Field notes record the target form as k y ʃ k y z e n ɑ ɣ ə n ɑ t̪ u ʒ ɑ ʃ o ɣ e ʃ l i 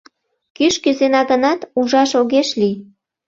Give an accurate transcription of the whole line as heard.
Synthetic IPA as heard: k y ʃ k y z e n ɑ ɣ ə n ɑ t̪ u ʒ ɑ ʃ o ɣ e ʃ l i